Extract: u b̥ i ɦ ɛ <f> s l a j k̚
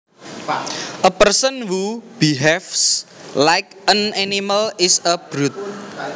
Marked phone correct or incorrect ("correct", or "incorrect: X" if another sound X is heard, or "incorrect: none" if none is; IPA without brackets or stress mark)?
correct